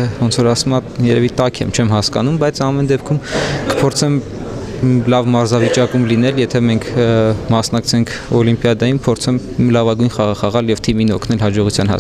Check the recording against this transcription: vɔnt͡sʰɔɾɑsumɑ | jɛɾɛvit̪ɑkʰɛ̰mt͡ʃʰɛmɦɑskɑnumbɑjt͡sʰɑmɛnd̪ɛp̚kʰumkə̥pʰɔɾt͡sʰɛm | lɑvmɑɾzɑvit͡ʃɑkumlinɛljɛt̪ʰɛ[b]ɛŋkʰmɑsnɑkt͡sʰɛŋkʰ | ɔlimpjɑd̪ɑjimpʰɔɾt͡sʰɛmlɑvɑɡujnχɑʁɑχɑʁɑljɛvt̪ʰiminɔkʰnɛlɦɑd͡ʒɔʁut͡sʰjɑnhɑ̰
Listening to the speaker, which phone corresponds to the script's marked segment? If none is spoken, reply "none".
m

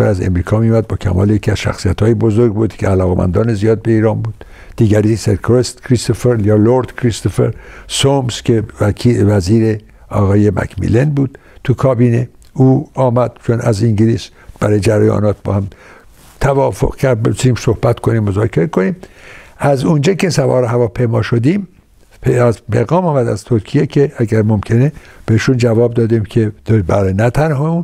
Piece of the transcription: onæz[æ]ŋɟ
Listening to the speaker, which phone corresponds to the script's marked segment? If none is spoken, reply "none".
i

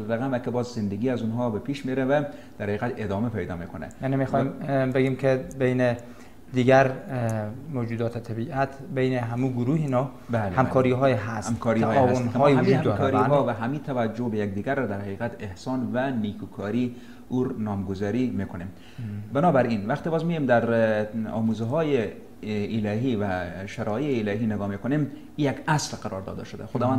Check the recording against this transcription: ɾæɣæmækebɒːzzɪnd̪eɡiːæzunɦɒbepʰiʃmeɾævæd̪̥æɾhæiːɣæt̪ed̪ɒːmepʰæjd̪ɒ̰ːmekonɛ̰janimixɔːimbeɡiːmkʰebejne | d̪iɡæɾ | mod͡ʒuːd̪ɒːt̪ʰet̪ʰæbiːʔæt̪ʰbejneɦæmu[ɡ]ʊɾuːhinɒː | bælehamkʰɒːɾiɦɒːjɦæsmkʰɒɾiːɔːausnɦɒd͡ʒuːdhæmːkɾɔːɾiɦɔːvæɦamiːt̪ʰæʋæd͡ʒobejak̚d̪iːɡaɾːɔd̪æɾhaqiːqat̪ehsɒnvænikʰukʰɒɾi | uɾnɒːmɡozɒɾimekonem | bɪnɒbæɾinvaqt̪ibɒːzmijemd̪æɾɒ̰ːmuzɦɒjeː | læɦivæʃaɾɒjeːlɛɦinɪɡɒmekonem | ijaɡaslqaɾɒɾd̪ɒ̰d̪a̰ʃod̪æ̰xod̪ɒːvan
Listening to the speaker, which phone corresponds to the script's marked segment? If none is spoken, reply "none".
ɡ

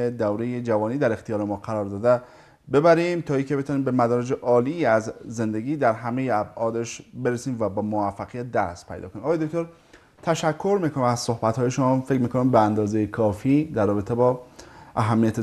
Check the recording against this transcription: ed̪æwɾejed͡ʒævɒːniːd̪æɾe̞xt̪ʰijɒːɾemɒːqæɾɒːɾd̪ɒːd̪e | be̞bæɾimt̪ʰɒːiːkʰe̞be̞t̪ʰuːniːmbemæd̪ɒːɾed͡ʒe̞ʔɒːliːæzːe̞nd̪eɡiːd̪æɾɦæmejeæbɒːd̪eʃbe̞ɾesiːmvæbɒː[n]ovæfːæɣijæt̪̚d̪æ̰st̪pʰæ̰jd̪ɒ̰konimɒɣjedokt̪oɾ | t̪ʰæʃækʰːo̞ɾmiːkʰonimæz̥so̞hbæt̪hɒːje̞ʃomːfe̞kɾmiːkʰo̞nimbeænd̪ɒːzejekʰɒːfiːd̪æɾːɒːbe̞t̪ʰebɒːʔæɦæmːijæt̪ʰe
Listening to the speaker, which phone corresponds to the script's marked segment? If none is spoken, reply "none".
m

